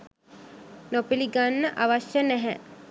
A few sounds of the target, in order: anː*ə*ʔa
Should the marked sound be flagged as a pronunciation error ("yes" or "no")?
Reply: no